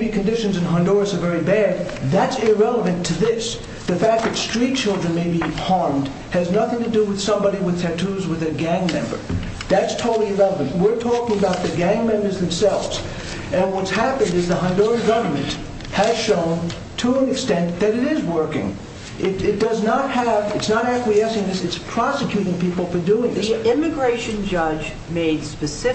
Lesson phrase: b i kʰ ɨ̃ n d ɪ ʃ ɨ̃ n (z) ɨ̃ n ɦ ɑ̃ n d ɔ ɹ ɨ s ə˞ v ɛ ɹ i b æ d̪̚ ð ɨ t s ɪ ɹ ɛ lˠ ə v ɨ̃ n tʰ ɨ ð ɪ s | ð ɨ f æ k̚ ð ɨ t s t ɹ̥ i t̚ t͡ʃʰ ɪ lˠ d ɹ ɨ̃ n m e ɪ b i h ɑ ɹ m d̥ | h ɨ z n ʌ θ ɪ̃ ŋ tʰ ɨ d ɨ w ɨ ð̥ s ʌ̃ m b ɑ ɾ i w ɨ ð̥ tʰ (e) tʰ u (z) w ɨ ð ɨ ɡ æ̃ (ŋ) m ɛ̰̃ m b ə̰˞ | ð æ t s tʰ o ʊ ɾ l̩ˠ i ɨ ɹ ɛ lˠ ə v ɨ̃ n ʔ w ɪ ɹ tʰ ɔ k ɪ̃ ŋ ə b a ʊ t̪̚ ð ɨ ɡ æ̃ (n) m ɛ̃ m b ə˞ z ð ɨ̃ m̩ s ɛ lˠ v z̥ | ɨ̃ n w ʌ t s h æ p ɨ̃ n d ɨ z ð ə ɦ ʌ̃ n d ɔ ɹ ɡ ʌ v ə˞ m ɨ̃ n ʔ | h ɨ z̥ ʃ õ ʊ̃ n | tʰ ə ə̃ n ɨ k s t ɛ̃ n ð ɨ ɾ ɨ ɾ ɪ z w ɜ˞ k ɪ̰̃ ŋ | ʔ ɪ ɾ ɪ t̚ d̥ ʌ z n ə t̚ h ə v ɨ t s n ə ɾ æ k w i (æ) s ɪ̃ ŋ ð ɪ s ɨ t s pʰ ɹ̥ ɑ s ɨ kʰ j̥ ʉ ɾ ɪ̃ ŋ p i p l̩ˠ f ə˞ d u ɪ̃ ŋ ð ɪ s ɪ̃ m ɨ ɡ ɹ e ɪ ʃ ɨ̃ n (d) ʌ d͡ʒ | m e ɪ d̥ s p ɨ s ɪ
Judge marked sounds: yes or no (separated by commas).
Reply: yes, no, yes, yes, no, no, no